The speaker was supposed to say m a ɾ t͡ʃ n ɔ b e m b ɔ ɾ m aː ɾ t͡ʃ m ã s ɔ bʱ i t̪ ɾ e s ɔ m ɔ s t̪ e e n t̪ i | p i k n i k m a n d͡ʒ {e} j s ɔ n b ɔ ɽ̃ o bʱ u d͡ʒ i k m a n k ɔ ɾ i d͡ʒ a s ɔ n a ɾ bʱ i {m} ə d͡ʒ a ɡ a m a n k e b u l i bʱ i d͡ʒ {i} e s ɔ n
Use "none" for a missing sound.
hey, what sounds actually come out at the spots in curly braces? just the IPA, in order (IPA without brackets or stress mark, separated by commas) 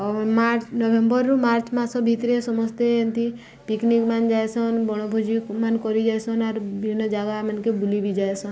a, n, a